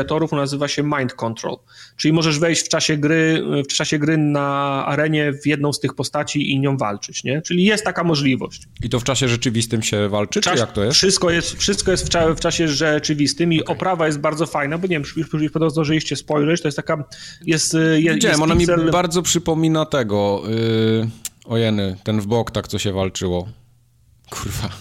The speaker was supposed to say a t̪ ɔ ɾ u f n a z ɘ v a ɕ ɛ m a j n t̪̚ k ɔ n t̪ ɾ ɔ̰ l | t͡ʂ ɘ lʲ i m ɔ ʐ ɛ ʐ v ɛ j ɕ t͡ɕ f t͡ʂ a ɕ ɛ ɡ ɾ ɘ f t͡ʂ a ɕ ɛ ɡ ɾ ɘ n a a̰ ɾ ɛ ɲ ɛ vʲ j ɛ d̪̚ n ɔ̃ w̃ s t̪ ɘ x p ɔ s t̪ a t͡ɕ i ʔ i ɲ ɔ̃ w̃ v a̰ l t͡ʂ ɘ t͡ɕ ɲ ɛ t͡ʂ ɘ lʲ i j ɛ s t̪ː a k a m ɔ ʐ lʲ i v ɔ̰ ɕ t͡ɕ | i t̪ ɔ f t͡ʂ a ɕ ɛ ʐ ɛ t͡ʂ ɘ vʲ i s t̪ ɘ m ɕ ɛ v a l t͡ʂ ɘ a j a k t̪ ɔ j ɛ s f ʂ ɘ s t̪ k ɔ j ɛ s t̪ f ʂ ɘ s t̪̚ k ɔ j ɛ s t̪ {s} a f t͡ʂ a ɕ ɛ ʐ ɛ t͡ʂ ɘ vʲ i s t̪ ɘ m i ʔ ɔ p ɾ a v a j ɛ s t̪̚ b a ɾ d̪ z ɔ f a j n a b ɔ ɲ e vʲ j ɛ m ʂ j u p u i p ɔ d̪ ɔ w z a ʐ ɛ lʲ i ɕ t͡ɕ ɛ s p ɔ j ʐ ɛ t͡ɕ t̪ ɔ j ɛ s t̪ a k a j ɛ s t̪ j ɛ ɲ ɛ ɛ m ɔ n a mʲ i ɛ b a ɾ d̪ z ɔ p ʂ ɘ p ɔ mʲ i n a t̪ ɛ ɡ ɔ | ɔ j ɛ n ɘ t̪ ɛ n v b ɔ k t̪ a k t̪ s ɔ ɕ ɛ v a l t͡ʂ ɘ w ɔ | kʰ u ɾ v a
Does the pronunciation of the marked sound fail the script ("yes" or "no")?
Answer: yes